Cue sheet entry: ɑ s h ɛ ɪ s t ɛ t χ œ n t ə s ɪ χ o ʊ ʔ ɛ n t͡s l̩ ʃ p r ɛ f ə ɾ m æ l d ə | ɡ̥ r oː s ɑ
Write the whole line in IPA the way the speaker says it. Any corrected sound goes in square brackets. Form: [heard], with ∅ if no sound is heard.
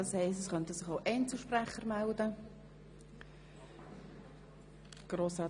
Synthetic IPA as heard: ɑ s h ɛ ɪ s t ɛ [s] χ œ n t ə s ɪ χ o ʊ ʔ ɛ n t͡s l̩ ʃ p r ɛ [χ] ə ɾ m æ l d ə | ɡ̥ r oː s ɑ